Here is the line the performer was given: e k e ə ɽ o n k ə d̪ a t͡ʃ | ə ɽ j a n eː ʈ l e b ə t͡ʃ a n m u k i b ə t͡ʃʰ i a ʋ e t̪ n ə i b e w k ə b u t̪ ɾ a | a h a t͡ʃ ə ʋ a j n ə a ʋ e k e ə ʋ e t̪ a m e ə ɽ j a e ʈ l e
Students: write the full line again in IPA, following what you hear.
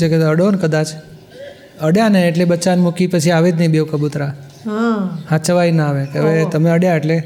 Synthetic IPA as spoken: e k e ə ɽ o n k ə d̪ a t͡ʃ | ə ɽ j a n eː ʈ l e b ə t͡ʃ a n m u k i p ə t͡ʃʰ i a ʋ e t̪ n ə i b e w k ə b u t̪ ɾ a | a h a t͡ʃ ə ʋ a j n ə a ʋ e k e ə ʋ e t̪ ə m e ə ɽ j a e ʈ l e